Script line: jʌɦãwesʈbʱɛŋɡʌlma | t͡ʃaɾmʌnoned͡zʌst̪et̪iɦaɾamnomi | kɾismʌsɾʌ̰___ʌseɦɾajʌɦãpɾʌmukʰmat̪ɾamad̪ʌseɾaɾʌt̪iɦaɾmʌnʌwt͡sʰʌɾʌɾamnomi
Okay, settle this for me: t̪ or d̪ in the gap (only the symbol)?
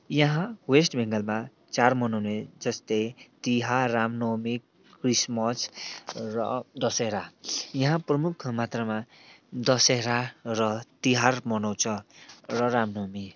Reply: d̪